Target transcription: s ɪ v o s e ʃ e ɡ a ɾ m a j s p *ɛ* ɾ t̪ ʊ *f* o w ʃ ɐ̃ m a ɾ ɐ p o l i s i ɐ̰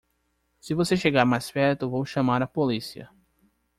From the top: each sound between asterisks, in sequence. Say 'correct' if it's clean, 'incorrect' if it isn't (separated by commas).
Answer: correct, incorrect